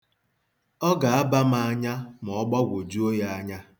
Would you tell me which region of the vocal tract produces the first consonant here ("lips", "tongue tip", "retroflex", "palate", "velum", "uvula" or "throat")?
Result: velum